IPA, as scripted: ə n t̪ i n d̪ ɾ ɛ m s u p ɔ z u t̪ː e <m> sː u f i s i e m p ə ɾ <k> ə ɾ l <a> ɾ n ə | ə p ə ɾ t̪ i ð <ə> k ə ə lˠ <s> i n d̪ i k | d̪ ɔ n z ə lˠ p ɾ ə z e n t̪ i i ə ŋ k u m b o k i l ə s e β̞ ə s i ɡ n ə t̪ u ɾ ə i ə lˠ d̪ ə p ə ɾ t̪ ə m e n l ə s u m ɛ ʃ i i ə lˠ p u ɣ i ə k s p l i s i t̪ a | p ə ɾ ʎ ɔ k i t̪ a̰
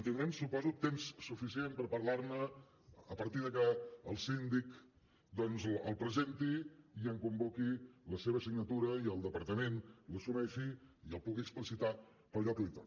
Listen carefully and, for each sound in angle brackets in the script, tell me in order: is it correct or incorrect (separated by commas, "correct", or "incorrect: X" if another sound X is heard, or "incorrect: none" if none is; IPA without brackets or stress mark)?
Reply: correct, incorrect: p, correct, correct, correct